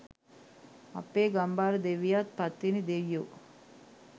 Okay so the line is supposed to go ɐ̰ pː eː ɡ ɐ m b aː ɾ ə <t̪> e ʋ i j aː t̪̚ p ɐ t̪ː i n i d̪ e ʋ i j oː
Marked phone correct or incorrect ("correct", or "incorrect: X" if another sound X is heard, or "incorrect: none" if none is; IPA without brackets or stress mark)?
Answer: incorrect: d̪